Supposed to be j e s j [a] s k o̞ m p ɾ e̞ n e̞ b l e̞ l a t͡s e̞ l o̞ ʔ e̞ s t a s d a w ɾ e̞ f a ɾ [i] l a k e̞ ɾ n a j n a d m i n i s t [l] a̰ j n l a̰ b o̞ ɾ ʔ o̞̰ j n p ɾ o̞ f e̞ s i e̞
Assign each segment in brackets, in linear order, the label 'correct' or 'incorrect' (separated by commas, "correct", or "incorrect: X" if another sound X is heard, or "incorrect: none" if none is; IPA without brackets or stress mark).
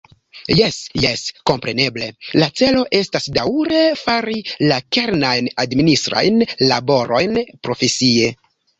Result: incorrect: e, correct, incorrect: ɾ